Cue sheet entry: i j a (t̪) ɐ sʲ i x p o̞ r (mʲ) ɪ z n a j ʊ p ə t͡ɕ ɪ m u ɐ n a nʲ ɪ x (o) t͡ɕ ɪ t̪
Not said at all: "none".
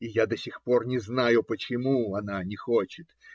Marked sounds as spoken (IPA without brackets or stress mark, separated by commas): d̪, nʲ, o